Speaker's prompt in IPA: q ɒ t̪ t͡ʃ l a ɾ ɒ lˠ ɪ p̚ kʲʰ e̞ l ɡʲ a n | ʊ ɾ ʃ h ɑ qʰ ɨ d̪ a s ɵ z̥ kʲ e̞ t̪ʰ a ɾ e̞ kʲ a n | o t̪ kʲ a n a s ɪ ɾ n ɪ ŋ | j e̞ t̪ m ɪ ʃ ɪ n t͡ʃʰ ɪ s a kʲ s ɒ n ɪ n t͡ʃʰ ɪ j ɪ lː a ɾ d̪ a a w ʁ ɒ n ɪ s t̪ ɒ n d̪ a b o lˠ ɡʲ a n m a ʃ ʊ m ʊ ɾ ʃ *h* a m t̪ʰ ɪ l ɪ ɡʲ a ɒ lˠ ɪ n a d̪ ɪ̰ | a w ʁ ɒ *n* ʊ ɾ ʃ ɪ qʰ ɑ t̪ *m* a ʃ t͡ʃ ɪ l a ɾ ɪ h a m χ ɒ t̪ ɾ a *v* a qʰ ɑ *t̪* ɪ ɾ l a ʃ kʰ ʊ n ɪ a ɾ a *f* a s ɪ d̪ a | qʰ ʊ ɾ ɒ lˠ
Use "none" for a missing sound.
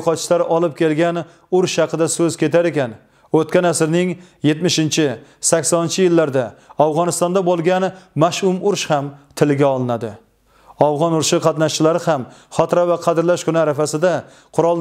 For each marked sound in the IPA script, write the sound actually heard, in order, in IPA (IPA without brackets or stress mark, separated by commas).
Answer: h, n, n, v, d̪, f